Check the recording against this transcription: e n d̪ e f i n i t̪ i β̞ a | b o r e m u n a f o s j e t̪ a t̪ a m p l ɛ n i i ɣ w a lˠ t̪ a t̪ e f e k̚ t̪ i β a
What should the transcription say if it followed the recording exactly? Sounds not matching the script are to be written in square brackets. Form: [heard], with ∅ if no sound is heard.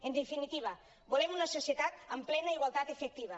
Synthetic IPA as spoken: e n d̪ e f i n i t̪ i β̞ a | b o [l] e m u n a [s] o s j e t̪ a t̪ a m p l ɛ n [a] i ɣ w a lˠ t̪ a t̪ e f e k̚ t̪ i β a